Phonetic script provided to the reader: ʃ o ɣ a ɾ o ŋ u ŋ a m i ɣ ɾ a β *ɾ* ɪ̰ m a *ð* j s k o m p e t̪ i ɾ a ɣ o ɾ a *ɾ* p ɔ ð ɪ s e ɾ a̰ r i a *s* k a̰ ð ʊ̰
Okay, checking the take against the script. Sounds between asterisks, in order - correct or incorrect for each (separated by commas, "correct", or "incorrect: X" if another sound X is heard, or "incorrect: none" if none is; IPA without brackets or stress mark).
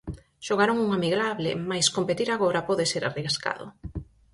incorrect: l, incorrect: none, incorrect: none, correct